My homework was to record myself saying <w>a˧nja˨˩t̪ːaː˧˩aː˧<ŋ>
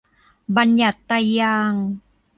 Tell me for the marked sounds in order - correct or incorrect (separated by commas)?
incorrect, correct